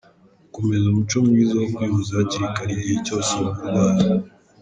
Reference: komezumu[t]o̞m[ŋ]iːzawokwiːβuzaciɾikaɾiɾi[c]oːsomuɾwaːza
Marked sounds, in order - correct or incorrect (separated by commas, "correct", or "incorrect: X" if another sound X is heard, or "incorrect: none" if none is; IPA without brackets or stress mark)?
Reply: incorrect: t͡ʃ, correct, correct